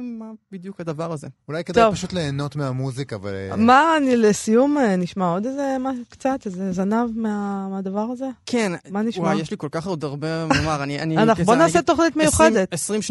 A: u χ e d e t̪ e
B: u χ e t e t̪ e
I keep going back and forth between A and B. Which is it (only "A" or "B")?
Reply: A